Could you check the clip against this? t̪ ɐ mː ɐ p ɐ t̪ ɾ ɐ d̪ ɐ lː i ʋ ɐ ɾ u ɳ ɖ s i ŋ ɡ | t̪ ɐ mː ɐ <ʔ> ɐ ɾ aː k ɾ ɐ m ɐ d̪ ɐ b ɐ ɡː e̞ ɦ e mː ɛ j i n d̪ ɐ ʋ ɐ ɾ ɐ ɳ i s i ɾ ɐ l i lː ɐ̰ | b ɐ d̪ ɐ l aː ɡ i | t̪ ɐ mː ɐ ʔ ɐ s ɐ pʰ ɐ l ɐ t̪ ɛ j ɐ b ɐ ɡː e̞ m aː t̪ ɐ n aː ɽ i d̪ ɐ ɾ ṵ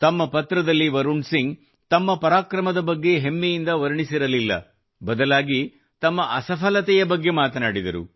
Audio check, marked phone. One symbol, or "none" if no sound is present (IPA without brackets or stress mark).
p